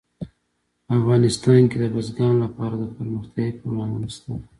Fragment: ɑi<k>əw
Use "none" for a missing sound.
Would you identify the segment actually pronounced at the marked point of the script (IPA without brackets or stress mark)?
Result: p